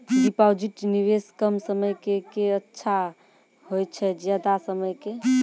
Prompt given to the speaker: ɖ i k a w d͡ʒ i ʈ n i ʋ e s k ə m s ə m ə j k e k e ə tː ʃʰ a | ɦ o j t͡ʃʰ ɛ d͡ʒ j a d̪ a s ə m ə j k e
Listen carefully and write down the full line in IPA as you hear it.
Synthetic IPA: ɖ i p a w d͡ʒ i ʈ n i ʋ e s k ə m s ə m ə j k e k e ə tː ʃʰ a | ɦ o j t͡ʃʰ ɛ d͡ʒ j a d̪ a s ə m ə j k e